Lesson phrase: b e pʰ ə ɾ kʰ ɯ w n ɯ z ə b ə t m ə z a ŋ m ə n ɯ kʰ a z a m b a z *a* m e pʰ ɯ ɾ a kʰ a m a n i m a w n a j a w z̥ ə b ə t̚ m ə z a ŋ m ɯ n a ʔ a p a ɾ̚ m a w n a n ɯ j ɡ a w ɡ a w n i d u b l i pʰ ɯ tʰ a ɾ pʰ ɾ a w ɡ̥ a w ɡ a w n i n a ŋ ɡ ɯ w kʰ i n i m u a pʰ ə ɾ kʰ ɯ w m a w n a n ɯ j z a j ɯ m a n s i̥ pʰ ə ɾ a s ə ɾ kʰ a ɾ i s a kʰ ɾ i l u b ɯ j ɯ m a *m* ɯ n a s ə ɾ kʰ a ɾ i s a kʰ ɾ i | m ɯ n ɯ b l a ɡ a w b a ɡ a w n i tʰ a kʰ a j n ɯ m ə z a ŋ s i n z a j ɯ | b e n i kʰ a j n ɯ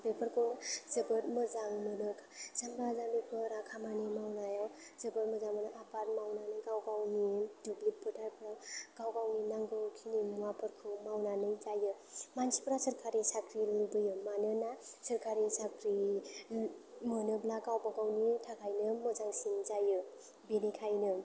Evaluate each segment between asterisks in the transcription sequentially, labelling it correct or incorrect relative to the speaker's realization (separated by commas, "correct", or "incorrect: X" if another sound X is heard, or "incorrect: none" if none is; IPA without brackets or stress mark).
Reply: correct, incorrect: n